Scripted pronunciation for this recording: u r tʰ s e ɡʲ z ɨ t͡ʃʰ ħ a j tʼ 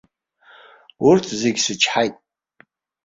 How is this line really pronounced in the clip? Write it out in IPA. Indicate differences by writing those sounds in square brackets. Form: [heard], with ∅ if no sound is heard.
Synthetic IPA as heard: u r tʰ [z] e ɡʲ [s] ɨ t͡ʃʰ ħ a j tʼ